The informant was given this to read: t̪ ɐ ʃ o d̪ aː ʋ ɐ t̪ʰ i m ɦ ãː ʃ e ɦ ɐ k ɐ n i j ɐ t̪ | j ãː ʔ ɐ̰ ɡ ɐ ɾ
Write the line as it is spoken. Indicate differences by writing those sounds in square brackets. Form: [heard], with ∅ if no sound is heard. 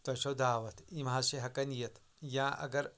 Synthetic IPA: t̪ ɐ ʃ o d̪ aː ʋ ɐ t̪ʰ i m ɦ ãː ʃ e ɦ ɐ k ɐ n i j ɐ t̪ | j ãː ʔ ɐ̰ ɡ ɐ ɾ